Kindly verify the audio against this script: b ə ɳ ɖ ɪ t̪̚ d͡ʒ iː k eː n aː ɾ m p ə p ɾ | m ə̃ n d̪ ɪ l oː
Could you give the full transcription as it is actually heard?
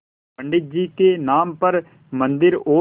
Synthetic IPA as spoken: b ə ɳ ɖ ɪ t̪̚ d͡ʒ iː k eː n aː m p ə ɾ | m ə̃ n d̪ ɪ ɾ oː